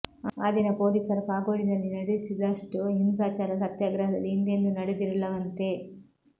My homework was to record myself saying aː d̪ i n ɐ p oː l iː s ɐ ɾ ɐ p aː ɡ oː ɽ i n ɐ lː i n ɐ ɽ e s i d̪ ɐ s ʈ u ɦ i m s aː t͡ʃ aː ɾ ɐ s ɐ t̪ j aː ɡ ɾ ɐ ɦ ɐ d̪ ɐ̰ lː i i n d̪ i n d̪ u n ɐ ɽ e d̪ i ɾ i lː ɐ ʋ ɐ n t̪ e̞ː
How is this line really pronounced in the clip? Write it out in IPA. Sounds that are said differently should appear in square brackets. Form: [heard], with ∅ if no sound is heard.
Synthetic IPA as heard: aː d̪ i n ɐ p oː l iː s ɐ ɾ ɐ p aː ɡ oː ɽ i n ɐ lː i n ɐ ɽ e s i d̪ ɐ [ʂ] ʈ u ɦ i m s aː t͡ʃ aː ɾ ɐ s ɐ t̪ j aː ɡ ɾ ɐ ɦ ɐ d̪ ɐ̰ lː i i n d̪ [e] n d̪ u n ɐ ɽ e d̪ i ɾ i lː ɐ ʋ ɐ n t̪ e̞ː